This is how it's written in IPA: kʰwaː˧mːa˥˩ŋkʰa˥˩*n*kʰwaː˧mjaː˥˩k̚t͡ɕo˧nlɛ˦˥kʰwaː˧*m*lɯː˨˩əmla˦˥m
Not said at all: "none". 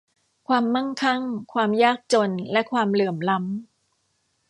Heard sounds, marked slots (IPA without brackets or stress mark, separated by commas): ŋ, m